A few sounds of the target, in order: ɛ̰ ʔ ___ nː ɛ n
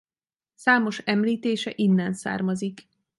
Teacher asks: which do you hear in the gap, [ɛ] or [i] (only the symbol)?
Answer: i